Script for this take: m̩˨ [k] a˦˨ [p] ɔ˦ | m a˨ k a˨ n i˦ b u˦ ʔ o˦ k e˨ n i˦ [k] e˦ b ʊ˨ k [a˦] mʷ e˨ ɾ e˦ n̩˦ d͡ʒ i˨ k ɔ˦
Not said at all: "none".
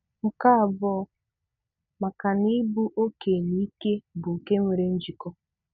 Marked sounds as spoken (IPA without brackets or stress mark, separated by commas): k, b, k, e˦